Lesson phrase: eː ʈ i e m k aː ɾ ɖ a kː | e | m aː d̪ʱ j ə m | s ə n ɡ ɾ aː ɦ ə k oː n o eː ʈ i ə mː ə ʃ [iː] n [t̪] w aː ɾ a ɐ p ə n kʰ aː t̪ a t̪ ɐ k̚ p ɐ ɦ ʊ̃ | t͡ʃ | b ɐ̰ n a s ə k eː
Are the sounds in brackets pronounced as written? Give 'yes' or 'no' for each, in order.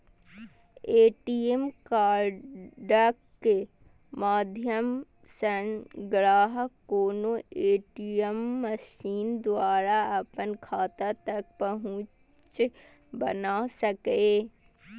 yes, no

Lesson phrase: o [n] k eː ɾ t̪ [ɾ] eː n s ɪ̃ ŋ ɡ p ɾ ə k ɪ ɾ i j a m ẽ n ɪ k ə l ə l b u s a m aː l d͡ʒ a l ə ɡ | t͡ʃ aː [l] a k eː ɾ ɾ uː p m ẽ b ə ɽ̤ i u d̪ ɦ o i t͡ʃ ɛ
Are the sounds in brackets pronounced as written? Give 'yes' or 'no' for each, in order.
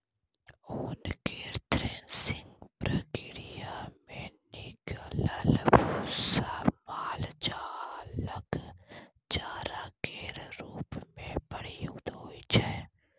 yes, yes, no

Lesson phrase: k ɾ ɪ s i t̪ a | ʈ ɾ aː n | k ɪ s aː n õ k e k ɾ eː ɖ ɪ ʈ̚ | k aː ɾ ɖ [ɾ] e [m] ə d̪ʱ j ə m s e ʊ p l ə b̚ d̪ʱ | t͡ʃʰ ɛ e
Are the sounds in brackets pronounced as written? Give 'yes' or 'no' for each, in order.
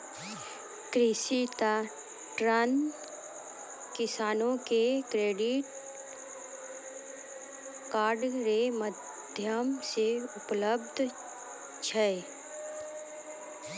yes, yes

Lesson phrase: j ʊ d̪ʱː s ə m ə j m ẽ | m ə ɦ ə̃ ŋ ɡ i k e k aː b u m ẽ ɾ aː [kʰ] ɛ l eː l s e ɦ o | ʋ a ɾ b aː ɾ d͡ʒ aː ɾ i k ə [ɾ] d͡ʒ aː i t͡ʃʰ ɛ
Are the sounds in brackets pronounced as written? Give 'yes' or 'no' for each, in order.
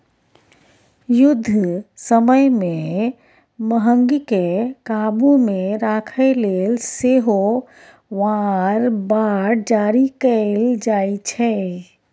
yes, no

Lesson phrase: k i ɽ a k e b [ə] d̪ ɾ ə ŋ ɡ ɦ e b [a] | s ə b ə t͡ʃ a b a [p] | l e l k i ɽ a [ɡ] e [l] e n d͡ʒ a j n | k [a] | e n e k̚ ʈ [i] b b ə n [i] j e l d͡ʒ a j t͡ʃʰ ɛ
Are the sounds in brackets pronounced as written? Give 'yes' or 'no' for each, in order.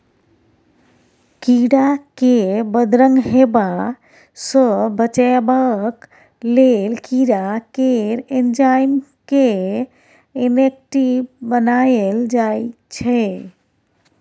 yes, yes, no, no, no, no, yes, no

